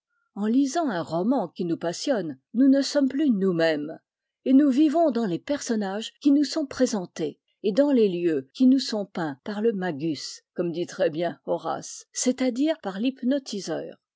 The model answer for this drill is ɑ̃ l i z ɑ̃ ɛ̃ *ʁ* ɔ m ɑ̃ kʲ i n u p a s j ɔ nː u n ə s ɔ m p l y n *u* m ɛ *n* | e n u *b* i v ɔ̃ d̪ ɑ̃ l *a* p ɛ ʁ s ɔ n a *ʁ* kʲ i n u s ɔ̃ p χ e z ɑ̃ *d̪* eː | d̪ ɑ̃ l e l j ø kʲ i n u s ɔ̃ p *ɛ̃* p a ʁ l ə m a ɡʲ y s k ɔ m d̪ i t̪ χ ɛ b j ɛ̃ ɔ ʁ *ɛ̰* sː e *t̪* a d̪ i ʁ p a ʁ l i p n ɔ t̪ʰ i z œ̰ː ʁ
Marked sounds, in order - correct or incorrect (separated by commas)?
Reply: correct, correct, incorrect, incorrect, incorrect, incorrect, incorrect, correct, incorrect, correct